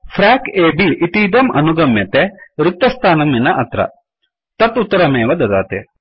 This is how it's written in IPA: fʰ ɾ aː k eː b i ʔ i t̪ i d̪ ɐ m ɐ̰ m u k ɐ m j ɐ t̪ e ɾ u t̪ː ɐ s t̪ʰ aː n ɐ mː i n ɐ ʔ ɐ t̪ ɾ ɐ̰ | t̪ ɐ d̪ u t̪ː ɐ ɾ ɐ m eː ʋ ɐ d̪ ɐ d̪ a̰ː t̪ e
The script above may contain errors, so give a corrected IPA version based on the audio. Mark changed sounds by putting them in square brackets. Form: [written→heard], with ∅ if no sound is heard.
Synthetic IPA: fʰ ɾ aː k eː b i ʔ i t̪ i d̪ ɐ m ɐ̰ [m→n] u [k→ɡ] ɐ m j ɐ t̪ e ɾ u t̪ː ɐ s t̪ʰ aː n ɐ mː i n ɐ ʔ ɐ t̪ ɾ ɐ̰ | t̪ ɐ [d̪→t̪] u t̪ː ɐ ɾ ɐ m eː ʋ ɐ d̪ ɐ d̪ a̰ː t̪ e

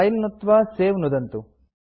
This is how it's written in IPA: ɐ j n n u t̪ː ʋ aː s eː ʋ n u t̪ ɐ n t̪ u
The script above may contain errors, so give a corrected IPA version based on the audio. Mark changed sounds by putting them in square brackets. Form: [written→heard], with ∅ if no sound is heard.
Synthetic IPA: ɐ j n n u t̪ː ʋ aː s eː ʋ n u [t̪→d̪] ɐ n t̪ u

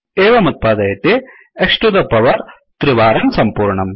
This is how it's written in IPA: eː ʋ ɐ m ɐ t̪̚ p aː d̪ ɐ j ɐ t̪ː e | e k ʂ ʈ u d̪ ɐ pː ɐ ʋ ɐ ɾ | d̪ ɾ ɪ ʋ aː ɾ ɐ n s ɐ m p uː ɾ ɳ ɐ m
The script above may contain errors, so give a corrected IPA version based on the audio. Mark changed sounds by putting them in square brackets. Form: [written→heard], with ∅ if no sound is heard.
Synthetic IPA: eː ʋ ɐ m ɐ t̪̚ p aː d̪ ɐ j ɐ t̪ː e | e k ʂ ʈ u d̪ ɐ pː ɐ ʋ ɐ ɾ | [d̪→t̪] ɾ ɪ ʋ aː ɾ ɐ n s ɐ m p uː ɾ ɳ ɐ m

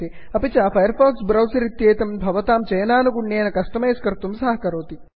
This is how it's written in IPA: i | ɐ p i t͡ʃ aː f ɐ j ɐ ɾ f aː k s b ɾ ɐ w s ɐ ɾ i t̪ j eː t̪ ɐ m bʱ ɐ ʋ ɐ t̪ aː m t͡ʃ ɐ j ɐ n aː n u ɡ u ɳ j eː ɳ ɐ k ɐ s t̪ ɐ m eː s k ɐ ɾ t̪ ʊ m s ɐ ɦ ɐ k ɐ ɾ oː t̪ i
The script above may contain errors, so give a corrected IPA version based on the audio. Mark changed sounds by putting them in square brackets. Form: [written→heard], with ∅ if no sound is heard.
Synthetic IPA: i | ɐ p i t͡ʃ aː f ɐ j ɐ ɾ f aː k s b ɾ ɐ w s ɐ ɾ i t̪ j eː t̪ ɐ m bʱ ɐ ʋ ɐ t̪ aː m t͡ʃ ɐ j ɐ n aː n u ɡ u ɳ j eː [ɳ→n] ɐ k ɐ s t̪ ɐ m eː s k ɐ ɾ t̪ [ʊ→u] m s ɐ ɦ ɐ k ɐ ɾ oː t̪ i

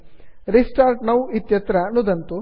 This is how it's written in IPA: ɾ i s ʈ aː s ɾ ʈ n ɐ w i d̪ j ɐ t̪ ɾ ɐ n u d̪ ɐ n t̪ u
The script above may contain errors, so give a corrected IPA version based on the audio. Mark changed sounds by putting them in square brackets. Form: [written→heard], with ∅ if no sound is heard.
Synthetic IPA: ɾ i s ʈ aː [s→∅] ɾ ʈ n ɐ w i [d̪→t̪] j ɐ t̪ ɾ ɐ n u d̪ ɐ n t̪ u

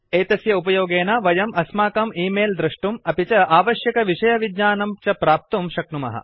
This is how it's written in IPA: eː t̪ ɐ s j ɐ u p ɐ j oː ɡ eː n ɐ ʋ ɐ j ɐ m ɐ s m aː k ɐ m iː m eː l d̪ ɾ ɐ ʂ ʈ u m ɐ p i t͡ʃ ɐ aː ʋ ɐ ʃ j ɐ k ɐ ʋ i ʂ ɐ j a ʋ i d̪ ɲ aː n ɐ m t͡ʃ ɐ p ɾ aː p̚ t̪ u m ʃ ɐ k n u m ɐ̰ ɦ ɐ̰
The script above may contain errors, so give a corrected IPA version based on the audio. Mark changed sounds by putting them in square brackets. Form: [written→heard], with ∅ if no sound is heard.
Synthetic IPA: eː t̪ ɐ s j ɐ u p ɐ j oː ɡ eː n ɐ ʋ ɐ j ɐ m ɐ s m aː k ɐ m iː m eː l d̪ ɾ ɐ ʂ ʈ u m ɐ p i t͡ʃ ɐ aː ʋ ɐ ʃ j ɐ k ɐ ʋ i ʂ ɐ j [a→ɐ] ʋ i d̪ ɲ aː n ɐ m t͡ʃ ɐ p ɾ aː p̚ t̪ u m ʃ ɐ k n u m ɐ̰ ɦ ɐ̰

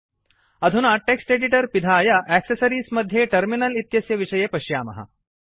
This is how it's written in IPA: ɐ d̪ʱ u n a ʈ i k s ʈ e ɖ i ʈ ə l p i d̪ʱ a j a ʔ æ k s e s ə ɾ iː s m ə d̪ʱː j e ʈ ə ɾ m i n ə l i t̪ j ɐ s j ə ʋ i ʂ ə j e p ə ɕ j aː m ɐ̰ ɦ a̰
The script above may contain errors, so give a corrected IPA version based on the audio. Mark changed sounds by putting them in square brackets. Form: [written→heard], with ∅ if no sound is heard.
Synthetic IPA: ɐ d̪ʱ u n a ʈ [i→e] k s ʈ e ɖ i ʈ ə [l→ɾ] p i d̪ʱ a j a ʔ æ k s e s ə ɾ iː s m ə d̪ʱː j e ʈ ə ɾ m i n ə l i t̪ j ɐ s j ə ʋ i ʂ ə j e p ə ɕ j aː m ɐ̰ ɦ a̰

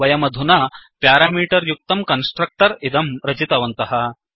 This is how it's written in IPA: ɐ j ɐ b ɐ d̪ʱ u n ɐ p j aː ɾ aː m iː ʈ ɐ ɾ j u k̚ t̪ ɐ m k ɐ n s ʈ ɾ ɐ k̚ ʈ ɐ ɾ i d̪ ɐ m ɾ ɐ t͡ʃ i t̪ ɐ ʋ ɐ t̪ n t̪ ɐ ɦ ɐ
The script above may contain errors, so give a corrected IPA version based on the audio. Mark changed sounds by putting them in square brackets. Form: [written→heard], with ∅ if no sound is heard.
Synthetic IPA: ɐ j ɐ [b→m] ɐ d̪ʱ u n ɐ p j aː ɾ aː m iː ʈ ɐ ɾ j u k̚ t̪ ɐ m k ɐ n s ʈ ɾ ɐ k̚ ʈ ɐ ɾ i d̪ ɐ m ɾ ɐ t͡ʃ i t̪ ɐ ʋ ɐ [t̪→∅] n t̪ ɐ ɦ ɐ

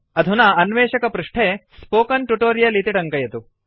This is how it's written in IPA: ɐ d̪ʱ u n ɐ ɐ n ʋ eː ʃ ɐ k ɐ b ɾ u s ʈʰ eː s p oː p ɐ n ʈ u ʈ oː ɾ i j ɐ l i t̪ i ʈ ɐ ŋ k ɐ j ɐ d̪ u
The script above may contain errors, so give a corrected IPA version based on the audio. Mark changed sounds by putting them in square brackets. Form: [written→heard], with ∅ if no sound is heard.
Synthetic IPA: ɐ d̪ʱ u n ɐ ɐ n ʋ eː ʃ ɐ k ɐ [b→p] ɾ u [s→ʂ] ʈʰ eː s p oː [p→k] ɐ n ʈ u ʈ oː ɾ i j ɐ l i t̪ i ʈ ɐ ŋ k ɐ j ɐ [d̪→t̪] u

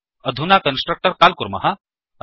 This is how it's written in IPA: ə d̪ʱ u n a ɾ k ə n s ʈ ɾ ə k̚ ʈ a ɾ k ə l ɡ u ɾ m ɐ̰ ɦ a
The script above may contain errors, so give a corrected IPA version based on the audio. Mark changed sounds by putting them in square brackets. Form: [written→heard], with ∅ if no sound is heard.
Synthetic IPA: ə d̪ʱ u n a [ɾ→∅] k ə n s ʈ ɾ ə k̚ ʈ [a→ə] ɾ k [ə→a] l [ɡ→k] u ɾ m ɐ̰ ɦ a

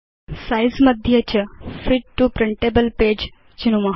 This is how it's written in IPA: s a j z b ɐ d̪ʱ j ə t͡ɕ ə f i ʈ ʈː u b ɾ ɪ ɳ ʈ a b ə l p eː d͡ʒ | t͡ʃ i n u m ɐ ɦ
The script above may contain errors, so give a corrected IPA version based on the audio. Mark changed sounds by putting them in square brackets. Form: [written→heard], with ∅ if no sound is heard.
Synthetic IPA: s a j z [b→m] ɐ d̪ʱ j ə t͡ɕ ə f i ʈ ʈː u [b→p] ɾ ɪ ɳ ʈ [a→e] b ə l p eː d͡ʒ | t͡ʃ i n u m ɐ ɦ

